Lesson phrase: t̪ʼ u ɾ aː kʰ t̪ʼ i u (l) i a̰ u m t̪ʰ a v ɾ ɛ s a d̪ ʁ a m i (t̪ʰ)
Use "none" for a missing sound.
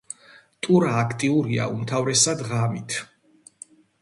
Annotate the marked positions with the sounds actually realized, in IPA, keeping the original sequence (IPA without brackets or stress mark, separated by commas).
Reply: ɾ, t̪ʰ